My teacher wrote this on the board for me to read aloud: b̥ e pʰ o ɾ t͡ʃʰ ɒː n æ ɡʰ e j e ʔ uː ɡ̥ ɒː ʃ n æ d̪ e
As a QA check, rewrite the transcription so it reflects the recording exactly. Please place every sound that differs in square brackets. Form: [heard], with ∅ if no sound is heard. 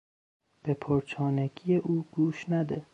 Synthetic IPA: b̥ e pʰ o ɾ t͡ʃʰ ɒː n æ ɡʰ [i] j e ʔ uː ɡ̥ [uː] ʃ n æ d̪ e